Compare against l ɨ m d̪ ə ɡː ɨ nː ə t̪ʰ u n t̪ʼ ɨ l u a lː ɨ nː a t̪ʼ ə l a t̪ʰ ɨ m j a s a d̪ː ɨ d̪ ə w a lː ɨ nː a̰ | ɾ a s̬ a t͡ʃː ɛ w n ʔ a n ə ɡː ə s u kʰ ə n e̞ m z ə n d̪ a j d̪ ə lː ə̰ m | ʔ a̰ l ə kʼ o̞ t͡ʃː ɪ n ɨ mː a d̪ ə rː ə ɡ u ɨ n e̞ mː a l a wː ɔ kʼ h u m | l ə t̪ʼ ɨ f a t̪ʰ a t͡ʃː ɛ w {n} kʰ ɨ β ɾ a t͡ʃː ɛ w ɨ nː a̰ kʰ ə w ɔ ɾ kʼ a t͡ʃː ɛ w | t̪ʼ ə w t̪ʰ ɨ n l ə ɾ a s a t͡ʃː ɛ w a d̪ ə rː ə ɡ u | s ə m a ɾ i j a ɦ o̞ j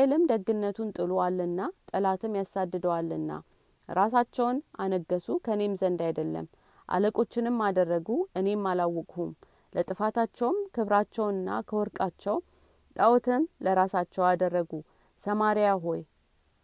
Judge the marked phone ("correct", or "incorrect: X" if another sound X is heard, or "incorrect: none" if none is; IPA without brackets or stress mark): incorrect: m